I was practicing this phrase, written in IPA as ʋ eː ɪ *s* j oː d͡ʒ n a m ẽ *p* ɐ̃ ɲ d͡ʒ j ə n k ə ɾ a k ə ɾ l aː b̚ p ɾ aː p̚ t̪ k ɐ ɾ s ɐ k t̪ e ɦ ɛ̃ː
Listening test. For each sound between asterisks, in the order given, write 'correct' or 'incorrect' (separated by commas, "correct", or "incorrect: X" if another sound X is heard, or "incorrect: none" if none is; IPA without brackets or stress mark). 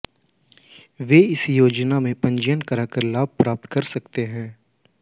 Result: correct, correct